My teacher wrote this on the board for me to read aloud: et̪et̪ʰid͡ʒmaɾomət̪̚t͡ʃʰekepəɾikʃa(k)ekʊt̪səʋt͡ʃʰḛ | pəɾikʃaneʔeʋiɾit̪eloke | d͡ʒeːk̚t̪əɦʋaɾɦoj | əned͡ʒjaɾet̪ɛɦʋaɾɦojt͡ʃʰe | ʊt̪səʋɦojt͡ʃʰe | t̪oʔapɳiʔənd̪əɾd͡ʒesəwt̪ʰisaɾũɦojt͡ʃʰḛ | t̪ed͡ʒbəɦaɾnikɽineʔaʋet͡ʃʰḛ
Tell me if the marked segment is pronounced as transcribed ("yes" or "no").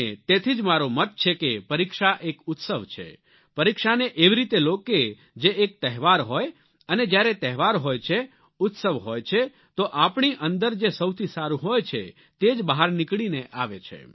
no